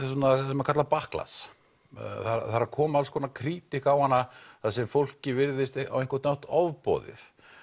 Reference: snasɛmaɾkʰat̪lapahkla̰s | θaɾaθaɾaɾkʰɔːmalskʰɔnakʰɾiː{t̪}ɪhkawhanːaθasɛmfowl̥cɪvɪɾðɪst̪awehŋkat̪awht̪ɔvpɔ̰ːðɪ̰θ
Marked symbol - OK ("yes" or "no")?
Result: yes